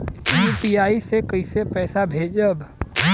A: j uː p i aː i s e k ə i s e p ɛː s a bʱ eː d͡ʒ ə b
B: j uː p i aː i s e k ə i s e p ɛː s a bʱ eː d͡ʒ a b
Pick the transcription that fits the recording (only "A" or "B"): A